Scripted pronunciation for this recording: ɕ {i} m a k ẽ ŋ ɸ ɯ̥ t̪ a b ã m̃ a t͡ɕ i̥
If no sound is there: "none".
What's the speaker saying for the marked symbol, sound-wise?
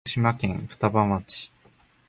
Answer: i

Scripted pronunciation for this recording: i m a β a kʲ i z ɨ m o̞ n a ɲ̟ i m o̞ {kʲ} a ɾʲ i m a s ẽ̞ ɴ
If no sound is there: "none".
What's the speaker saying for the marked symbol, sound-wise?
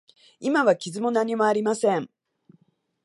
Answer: none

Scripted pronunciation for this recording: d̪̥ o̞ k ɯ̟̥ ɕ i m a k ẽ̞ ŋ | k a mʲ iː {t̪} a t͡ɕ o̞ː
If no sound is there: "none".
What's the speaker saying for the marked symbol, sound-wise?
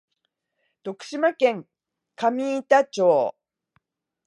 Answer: t̪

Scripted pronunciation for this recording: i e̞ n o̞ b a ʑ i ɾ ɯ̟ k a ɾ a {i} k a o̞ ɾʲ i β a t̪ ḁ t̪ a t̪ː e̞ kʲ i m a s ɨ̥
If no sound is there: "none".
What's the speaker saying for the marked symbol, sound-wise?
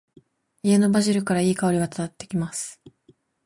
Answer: iː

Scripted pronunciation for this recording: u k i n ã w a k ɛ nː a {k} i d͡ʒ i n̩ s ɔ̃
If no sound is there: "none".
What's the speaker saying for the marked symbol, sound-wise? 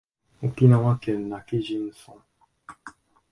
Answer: k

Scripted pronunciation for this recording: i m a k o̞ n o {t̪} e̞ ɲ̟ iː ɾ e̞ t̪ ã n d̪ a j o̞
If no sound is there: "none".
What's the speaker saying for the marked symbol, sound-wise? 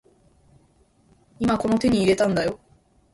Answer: t̪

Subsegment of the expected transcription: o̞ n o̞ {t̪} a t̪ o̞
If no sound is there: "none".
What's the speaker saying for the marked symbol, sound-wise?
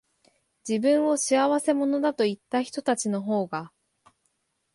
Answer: d̪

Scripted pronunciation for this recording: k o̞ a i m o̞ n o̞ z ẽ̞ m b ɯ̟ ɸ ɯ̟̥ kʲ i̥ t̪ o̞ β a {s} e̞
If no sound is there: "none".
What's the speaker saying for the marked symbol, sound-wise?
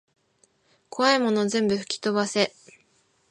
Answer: s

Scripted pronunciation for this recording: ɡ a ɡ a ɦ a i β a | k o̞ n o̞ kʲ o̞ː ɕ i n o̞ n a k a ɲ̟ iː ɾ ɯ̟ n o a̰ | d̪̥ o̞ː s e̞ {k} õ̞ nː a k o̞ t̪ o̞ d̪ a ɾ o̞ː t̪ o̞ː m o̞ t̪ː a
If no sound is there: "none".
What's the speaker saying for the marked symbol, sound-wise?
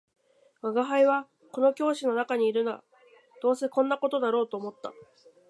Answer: k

